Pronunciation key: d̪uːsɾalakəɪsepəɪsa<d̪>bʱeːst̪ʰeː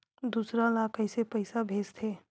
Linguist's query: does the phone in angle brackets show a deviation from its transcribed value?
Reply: yes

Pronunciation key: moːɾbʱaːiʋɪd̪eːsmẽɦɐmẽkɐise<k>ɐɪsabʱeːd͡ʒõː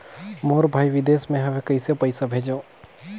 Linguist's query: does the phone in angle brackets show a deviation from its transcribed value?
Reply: yes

